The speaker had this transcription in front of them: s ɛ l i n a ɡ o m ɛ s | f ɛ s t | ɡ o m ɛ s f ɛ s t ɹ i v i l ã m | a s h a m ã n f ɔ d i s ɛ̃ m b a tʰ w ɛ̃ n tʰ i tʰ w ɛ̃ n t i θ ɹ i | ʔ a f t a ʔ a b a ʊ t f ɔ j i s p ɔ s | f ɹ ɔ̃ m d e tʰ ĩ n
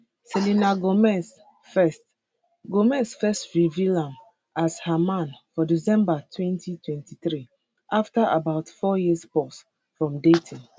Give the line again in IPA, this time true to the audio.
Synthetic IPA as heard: s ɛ l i n a ɡ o m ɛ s | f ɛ s t | ɡ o m ɛ s f ɛ s t ɹ i v i l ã m | a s h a m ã n f ɔ d i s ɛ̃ m b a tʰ w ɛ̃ n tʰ i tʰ w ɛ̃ n t i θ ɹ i | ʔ a f t a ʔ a b a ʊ t f ɔ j i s p ɔ s | f ɹ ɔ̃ m d e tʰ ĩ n